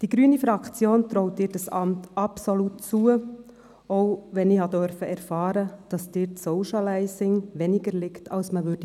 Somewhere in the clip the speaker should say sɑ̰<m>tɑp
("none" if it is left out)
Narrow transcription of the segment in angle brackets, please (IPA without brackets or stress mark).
m